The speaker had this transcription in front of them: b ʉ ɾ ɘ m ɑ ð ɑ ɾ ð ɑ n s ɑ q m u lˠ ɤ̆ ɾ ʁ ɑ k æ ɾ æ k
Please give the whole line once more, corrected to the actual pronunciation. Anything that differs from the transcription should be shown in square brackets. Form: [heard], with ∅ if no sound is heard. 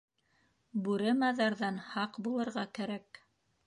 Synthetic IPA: b ʉ ɾ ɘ m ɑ ð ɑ ɾ ð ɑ n [h] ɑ q [b] u lˠ ɤ̆ ɾ ʁ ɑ k æ ɾ æ k